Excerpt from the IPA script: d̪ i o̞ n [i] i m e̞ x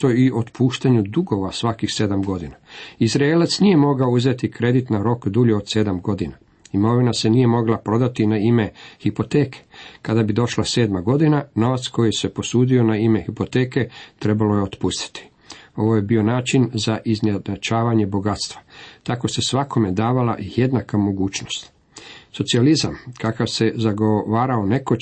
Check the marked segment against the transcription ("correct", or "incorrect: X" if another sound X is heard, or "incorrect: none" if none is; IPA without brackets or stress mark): incorrect: a